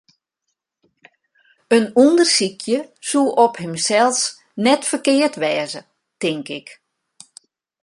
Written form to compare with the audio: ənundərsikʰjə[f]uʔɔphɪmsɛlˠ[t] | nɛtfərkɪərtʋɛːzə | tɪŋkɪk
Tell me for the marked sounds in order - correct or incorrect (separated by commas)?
incorrect, incorrect